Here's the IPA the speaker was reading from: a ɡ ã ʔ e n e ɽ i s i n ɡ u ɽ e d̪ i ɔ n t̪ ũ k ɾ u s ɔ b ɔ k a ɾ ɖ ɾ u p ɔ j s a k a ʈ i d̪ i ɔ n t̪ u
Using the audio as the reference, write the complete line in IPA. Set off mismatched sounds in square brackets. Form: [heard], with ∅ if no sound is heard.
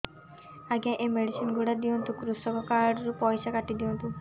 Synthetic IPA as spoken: a ɡ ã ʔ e [m] e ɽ i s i n ɡ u ɽ [a] d̪ i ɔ n t̪ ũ k ɾ u s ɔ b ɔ k a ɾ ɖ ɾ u p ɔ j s a k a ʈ i d̪ i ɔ n t̪ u